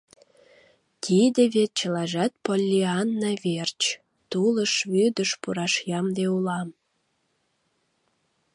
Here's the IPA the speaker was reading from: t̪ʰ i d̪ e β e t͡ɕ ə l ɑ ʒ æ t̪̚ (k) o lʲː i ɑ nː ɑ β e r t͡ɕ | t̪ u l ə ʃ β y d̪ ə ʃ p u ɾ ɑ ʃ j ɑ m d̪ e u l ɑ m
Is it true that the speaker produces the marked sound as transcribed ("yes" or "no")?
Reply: no